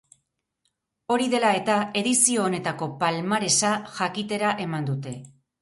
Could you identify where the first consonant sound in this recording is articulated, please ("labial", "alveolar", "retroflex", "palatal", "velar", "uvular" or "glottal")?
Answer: alveolar